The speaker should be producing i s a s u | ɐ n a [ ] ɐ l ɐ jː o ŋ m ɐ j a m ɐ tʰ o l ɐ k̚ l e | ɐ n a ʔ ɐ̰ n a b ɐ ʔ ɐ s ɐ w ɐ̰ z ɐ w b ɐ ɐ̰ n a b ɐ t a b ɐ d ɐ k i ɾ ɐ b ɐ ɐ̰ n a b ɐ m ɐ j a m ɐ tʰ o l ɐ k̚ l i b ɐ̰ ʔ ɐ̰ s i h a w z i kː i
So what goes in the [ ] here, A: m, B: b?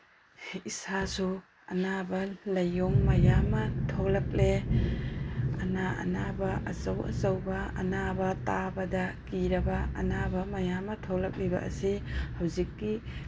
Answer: B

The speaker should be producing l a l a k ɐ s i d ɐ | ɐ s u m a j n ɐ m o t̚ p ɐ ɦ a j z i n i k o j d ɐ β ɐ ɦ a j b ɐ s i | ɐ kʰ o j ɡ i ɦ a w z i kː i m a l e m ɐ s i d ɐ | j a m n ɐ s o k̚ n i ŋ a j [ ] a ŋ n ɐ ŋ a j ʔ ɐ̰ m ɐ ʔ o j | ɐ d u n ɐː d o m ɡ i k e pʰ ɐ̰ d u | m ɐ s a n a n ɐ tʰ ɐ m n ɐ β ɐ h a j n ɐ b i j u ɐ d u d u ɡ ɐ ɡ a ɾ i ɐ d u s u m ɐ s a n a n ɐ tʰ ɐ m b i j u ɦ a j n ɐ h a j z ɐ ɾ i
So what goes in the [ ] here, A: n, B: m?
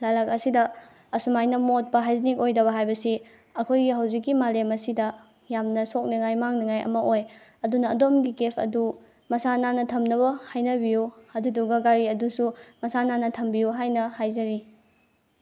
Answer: B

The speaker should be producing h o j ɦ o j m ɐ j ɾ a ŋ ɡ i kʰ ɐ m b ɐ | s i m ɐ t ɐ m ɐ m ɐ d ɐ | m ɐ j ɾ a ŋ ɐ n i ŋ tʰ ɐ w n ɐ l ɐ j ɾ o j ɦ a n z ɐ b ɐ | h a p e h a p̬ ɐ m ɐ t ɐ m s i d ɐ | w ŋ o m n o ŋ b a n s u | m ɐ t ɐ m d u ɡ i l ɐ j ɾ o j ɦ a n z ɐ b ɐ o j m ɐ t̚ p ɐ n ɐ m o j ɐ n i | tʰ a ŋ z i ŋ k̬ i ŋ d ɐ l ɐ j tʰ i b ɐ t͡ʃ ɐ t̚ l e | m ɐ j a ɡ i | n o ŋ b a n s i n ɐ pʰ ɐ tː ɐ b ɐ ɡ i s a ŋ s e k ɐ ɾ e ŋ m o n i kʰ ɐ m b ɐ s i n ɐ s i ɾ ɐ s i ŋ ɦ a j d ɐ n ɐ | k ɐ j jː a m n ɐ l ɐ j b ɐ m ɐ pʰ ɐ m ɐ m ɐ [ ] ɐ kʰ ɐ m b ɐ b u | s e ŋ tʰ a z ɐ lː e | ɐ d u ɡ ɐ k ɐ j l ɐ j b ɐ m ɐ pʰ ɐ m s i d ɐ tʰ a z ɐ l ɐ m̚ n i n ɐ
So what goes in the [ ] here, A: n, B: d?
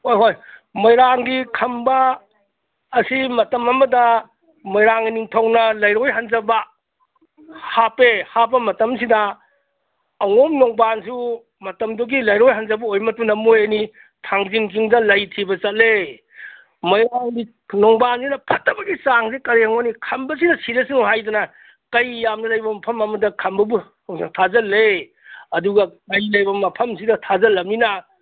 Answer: B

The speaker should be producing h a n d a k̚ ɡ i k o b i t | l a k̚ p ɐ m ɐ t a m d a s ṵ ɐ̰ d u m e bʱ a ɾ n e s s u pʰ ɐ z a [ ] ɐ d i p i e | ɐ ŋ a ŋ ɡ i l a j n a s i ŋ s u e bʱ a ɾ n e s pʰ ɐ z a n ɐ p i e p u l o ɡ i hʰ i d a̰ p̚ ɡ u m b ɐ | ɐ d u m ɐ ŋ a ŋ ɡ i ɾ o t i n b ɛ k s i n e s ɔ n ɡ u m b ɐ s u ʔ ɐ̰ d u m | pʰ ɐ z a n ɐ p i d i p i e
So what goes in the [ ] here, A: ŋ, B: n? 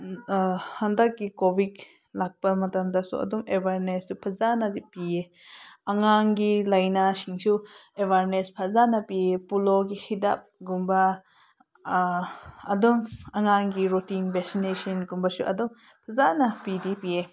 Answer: B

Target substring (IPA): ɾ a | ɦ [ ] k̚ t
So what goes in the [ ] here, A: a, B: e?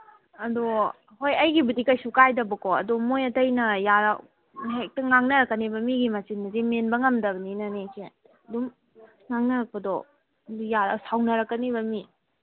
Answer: B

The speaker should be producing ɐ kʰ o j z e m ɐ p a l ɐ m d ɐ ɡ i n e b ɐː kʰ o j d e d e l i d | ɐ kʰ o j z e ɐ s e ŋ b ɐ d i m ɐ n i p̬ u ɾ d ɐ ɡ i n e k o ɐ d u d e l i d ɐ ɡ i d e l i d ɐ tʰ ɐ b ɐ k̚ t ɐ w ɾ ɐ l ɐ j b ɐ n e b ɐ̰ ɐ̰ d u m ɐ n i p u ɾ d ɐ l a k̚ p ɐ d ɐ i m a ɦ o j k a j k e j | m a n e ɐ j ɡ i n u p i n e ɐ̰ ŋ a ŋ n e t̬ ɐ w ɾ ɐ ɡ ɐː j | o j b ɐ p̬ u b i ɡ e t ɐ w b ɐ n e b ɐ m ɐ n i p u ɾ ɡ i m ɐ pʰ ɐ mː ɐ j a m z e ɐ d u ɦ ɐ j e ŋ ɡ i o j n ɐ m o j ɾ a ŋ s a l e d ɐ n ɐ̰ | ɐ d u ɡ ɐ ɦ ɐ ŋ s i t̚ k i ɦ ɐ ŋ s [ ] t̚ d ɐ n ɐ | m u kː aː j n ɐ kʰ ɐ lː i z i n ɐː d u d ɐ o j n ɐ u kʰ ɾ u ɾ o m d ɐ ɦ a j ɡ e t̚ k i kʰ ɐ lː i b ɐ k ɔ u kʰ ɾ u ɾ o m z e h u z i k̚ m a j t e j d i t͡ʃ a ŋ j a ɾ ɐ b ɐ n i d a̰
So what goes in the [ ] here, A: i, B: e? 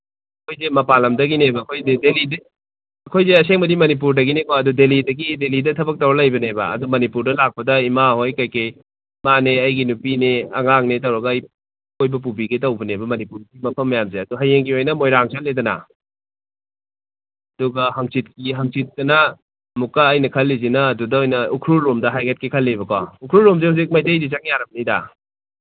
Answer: A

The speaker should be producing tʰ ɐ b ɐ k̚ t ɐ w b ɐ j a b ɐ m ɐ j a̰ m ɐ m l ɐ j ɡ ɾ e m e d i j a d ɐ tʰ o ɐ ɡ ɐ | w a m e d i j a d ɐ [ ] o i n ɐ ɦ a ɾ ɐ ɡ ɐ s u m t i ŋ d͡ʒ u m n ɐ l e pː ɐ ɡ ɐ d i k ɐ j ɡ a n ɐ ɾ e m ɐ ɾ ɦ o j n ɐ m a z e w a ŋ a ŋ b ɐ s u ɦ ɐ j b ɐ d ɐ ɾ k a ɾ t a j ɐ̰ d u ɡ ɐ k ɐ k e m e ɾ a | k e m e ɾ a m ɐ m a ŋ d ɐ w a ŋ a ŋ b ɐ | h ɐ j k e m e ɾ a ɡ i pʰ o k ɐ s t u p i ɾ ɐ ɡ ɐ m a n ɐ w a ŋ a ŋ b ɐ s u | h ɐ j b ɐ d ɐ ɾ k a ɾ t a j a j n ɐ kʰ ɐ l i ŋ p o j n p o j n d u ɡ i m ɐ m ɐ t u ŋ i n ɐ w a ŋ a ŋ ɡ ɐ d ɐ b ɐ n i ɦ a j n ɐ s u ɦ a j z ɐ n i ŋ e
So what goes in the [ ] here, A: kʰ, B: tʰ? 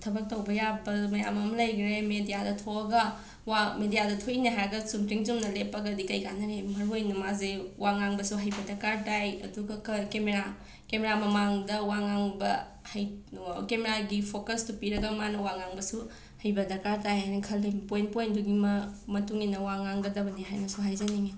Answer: B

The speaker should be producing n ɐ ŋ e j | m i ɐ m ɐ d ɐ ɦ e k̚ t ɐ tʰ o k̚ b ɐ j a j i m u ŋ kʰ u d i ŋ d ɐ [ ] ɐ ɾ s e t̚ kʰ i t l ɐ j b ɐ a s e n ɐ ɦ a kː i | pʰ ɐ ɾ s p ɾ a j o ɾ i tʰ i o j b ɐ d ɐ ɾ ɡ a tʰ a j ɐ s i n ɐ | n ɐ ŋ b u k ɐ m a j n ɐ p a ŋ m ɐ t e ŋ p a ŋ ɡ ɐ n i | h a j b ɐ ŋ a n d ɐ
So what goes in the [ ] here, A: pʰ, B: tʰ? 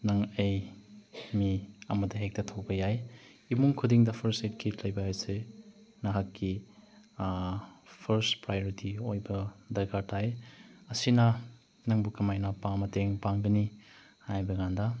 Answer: A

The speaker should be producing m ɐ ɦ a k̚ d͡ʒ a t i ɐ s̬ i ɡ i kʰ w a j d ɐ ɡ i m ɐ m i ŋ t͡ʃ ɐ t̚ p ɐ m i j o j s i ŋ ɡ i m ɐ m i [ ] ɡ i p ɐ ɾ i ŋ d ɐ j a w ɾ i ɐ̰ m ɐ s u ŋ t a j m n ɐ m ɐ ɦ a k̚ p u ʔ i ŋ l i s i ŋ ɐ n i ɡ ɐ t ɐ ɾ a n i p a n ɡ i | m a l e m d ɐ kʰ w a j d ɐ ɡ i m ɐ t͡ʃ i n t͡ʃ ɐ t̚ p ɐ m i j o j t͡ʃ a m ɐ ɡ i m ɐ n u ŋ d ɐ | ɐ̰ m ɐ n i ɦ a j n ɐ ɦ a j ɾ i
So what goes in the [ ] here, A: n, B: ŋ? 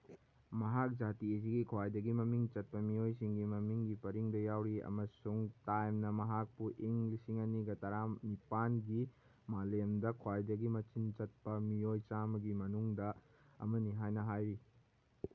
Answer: B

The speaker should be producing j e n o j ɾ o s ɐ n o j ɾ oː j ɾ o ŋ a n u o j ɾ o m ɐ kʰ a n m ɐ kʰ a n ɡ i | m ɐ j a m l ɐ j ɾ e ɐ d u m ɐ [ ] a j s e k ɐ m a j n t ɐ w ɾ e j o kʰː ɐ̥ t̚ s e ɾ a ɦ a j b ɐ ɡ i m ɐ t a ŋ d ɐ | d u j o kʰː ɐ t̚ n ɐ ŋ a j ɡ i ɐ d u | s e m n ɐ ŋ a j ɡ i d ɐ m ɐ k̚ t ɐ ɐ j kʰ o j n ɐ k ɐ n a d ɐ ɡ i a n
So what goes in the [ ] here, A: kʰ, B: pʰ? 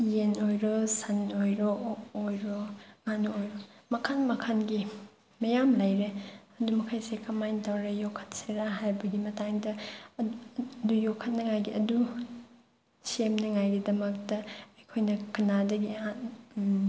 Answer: A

